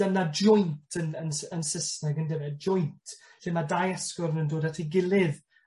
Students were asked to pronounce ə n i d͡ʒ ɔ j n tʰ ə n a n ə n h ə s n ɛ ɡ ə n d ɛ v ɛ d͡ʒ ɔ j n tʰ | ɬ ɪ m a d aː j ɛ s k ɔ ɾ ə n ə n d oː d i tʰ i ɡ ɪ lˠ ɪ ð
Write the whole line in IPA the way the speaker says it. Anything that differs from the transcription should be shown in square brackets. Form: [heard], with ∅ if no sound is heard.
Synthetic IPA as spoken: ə n [a] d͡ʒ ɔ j n tʰ ə n [ə] n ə n [s] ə s n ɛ ɡ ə n d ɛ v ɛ d͡ʒ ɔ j n tʰ | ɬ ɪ m a d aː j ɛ s k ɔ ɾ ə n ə n d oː d [a] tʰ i ɡ ɪ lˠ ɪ ð